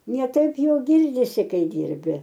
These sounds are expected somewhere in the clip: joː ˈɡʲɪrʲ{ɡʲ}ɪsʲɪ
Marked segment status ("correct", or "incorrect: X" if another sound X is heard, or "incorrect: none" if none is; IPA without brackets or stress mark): incorrect: dʲ